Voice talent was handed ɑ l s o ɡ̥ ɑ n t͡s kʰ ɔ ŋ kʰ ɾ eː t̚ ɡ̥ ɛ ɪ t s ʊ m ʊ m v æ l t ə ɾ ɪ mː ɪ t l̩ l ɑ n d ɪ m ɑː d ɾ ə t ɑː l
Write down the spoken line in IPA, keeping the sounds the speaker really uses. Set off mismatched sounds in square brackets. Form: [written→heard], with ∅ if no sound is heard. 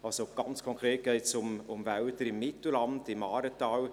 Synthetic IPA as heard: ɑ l s o ɡ̥ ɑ n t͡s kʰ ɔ ŋ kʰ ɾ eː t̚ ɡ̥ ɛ ɪ t s ʊ m ʊ m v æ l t ə ɾ ɪ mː ɪ t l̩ l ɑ n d ɪ m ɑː [d→∅] ɾ ə t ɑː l